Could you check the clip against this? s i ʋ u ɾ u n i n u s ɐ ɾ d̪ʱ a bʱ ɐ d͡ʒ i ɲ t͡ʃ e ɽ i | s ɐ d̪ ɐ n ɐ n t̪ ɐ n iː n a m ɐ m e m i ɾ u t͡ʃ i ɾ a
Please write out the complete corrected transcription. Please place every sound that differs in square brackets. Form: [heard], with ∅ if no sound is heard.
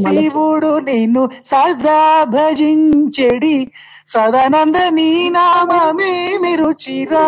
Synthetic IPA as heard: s i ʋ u [ɽ] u n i n u s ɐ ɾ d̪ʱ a bʱ ɐ d͡ʒ i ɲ t͡ʃ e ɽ i | s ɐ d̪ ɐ n ɐ n [d̪] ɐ n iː n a m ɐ m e m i ɾ u t͡ʃ i ɾ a